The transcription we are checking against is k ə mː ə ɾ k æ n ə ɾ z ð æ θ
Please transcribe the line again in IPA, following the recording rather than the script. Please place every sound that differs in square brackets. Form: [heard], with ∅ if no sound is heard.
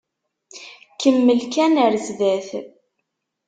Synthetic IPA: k ə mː ə [l] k æ n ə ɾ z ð æ θ